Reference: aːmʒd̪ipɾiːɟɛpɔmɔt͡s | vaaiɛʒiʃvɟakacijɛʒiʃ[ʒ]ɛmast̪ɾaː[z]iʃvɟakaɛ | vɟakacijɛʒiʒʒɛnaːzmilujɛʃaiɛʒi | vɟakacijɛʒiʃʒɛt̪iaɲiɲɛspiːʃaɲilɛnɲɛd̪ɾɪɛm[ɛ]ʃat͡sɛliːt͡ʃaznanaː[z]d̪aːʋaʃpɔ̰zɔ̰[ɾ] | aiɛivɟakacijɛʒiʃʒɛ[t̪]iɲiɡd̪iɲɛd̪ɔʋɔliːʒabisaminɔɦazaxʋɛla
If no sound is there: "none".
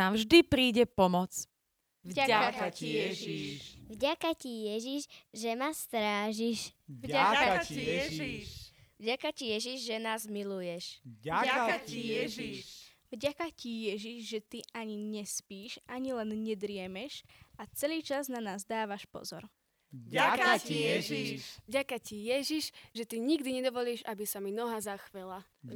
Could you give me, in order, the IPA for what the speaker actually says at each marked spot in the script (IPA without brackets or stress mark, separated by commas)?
ʒ, ʒ, ɛ, z, ɾ, t̪